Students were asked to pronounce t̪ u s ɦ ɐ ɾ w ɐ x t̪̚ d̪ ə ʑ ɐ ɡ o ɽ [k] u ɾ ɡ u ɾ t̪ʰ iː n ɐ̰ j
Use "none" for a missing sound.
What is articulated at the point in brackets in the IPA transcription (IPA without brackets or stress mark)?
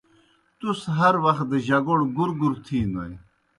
ɡ